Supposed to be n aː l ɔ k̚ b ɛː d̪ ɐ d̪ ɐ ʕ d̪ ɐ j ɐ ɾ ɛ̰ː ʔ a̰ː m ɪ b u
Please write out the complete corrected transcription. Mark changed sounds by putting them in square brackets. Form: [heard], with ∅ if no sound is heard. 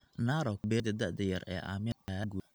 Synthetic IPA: n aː [ɾ] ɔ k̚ b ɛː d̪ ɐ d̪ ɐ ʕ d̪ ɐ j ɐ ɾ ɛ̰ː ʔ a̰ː m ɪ [ɡ] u